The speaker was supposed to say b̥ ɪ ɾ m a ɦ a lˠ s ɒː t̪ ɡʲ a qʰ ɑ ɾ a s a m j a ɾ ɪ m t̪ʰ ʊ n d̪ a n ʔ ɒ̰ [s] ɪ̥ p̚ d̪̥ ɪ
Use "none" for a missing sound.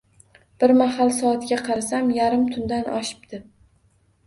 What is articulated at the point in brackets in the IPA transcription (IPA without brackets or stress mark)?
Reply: ʃ